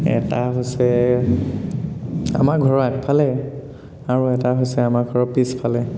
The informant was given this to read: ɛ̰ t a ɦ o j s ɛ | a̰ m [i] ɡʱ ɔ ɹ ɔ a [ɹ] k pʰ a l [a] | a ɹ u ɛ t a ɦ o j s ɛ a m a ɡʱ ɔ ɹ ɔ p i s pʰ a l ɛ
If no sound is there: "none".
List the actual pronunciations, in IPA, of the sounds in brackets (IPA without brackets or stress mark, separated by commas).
a, none, ɛ